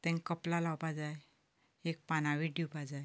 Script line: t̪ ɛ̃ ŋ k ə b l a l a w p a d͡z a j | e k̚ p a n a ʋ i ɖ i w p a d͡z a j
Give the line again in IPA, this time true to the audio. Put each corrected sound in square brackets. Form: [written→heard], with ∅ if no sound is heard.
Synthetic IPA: t̪ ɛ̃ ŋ k ə [b→p] l a l a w p a d͡z a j | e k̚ p a n a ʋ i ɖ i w p a d͡z a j